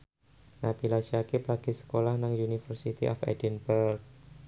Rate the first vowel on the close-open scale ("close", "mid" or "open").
open